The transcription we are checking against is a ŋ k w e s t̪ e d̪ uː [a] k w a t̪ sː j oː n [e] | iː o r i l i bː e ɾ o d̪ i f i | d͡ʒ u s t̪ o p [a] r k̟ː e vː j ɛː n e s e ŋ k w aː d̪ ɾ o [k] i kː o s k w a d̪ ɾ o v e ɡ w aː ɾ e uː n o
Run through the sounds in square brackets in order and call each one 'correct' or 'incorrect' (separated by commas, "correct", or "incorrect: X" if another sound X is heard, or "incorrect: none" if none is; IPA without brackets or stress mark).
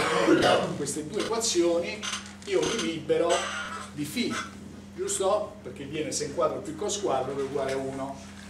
incorrect: e, incorrect: i, incorrect: e, incorrect: p